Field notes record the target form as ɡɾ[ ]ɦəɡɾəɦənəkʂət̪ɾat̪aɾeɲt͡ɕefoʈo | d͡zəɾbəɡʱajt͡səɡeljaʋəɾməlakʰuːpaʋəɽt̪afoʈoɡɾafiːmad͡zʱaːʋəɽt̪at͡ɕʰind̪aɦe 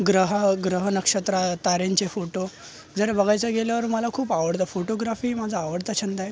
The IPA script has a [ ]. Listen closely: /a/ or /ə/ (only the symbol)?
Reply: ə